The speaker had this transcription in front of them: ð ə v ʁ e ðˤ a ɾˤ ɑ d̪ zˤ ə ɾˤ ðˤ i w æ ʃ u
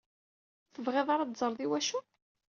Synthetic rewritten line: θ ə v ʁ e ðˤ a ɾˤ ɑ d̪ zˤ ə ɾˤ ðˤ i w æ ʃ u